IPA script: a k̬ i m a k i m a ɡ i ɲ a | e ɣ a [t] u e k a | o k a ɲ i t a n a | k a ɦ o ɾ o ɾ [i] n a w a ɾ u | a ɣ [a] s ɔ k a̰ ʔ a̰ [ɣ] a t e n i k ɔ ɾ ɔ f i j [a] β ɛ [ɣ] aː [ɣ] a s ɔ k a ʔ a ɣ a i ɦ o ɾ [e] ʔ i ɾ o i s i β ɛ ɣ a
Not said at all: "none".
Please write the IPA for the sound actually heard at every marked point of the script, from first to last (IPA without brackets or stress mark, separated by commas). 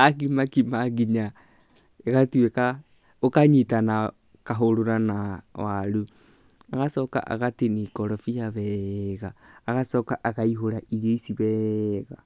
t, a, a, ɣ, a, ɣ, ɣ, a